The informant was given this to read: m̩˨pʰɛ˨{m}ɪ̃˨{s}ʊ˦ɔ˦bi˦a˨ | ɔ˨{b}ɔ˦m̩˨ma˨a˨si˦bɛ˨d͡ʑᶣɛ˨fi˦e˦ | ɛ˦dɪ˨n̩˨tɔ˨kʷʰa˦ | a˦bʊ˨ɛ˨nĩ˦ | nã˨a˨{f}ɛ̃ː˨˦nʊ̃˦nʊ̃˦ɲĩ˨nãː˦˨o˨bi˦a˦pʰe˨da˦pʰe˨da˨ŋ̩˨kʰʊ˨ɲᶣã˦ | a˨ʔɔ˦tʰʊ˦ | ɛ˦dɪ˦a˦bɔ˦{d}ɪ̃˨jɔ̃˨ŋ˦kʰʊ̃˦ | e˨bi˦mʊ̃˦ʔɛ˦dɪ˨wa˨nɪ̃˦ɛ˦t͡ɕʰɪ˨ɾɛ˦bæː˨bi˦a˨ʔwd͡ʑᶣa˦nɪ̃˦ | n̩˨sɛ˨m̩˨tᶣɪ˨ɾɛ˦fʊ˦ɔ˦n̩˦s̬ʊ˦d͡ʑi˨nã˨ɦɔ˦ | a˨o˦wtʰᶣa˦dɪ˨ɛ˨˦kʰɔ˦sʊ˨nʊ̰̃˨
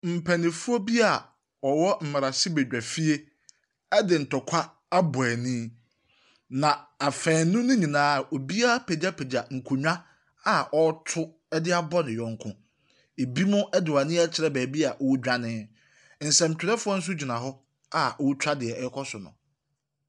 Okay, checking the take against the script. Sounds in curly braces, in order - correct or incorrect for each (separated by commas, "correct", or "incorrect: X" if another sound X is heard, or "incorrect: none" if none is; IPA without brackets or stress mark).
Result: incorrect: n, incorrect: f, incorrect: w, correct, incorrect: n